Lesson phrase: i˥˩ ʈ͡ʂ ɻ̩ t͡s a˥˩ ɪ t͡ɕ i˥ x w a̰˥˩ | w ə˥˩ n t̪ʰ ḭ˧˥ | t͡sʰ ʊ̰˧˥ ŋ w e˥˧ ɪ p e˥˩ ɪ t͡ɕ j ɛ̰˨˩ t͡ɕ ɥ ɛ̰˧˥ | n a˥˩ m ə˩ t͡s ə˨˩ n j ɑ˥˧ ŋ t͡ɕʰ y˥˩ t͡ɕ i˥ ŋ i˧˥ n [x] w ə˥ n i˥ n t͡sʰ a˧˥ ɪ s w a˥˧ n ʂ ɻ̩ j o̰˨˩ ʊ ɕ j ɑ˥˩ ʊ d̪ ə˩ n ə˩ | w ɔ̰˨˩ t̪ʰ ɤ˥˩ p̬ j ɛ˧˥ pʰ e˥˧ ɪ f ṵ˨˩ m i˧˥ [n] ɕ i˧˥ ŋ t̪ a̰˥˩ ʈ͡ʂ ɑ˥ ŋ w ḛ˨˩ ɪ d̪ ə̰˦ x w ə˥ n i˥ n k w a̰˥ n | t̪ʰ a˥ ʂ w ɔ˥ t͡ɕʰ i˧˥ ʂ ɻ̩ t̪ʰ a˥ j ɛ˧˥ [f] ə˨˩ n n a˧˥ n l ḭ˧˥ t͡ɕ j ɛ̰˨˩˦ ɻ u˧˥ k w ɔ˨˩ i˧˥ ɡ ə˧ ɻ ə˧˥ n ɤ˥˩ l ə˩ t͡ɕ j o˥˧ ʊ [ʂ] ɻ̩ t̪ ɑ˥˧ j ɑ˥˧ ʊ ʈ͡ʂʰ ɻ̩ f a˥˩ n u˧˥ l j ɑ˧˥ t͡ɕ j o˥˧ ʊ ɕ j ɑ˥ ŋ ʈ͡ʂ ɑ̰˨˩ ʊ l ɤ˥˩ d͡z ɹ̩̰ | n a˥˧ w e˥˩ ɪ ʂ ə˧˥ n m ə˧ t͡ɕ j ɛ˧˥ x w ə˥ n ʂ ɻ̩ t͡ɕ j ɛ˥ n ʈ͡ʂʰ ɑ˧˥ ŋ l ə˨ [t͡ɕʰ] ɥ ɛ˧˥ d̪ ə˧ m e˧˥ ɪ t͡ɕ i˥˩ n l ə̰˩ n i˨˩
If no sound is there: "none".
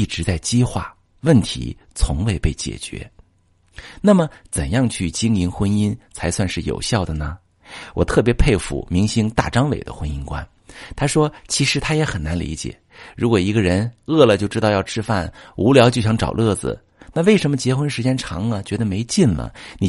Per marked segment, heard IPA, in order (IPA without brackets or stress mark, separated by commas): x, ŋ, x, ʈ͡ʂ, t͡ɕ